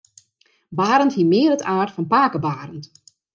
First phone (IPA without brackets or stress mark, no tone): b